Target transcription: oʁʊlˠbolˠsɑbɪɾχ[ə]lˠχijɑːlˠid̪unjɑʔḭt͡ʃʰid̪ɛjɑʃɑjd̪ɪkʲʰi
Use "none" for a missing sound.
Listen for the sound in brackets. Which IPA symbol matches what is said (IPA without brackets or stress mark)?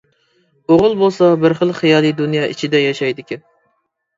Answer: ə